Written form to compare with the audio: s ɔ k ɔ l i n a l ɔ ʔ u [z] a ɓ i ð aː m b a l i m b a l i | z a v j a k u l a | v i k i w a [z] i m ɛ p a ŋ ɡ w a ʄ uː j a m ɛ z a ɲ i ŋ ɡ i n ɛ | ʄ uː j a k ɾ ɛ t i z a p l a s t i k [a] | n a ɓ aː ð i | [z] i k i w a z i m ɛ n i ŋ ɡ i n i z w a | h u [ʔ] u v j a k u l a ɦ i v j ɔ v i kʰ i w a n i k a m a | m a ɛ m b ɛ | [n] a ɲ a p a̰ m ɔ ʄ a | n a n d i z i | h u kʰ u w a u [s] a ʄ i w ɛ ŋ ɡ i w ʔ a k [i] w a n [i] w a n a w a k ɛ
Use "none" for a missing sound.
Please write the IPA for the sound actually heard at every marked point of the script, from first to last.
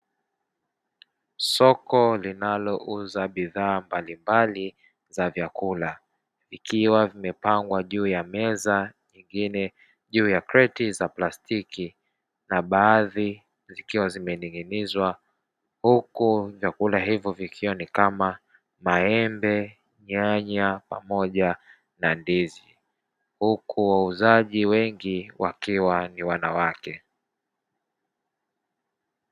z, v, i, z, k, ɲ, z, i, i

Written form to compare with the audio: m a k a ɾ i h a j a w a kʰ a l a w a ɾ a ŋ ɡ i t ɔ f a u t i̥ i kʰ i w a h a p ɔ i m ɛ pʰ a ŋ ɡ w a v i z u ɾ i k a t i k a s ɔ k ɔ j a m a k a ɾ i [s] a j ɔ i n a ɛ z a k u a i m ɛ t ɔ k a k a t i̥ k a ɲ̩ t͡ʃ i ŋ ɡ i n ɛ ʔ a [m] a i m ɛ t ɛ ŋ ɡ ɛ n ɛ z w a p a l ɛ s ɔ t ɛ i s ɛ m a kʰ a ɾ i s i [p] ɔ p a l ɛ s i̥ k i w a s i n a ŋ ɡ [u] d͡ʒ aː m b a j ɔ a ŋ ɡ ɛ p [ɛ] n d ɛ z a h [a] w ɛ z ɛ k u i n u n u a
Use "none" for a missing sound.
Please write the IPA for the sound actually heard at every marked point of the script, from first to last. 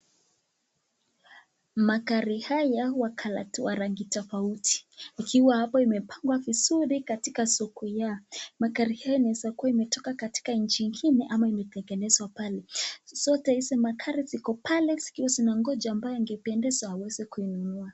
h, m, k, ɔ, ɛ, a

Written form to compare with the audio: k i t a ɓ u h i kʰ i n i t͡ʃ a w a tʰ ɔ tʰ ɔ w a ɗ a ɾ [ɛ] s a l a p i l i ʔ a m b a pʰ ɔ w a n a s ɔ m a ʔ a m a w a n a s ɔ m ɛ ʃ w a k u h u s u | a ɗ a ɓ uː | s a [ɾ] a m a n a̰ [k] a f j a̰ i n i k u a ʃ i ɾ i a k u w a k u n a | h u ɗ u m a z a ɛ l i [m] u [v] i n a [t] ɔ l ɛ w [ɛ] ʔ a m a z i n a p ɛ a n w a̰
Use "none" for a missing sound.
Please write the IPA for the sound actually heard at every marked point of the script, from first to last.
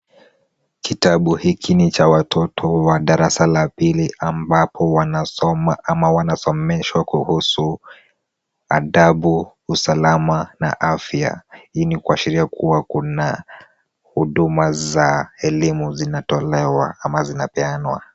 a, l, ʔ, m, z, t, a

